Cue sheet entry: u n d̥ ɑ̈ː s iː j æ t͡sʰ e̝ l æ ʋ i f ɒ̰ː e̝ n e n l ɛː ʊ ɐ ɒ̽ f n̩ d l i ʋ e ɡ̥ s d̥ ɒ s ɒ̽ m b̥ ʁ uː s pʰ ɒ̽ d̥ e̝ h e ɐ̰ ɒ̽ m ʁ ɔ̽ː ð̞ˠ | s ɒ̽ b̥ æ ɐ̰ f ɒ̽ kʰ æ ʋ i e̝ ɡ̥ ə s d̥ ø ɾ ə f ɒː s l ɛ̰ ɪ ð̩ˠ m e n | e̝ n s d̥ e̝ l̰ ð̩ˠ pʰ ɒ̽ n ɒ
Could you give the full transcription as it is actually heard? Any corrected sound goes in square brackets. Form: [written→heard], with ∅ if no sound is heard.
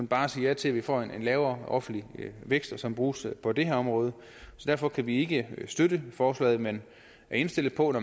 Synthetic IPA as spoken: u n [d̥→b̥] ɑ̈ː s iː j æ t͡sʰ e̝ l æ ʋ i f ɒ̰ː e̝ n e n l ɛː ʊ ɐ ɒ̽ f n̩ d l i ʋ e ɡ̥ s d̥ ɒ s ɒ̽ m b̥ ʁ uː s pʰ ɒ̽ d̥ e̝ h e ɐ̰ ɒ̽ m ʁ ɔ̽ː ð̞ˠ | s ɒ̽ [b̥→d̥] æ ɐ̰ f ɒ̽ kʰ æ ʋ i e̝ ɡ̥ ə s d̥ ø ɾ ə f ɒː s l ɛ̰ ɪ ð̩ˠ m e n | e̝ n s d̥ e̝ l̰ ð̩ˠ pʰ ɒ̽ n ɒ